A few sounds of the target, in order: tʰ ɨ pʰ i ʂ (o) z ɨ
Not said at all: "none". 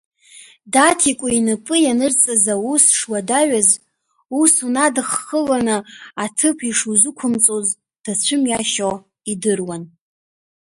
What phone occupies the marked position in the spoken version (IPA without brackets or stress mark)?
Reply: u